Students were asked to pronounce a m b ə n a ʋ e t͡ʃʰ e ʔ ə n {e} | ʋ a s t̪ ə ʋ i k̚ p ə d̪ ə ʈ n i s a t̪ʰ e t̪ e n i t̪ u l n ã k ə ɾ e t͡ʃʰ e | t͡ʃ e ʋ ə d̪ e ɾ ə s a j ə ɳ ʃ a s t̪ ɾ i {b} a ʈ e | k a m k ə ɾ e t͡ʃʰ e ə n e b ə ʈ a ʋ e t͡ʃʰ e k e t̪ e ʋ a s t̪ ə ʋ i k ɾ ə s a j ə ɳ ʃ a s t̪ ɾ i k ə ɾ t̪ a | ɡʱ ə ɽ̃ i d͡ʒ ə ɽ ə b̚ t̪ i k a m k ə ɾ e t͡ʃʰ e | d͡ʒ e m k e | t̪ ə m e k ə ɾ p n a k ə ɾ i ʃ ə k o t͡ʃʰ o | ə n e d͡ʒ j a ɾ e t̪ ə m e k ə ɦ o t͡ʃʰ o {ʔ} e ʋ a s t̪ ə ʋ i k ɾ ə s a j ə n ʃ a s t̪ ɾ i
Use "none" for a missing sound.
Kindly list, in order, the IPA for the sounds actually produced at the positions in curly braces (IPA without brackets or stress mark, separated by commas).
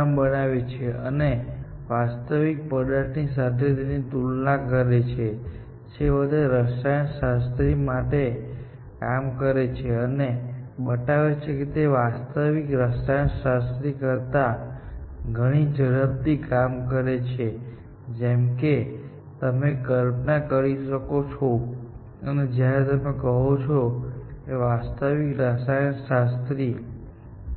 e, m, k